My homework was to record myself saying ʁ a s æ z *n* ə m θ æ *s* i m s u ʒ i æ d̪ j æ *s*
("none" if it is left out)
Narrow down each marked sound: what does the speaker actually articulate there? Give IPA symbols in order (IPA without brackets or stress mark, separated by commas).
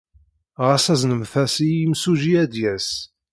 n, s, s